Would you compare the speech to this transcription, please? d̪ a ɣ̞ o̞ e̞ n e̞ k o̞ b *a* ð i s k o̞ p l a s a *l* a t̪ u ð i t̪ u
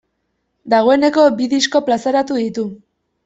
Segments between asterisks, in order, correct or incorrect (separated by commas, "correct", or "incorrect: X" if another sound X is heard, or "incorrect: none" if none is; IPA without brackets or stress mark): incorrect: i, incorrect: ɾ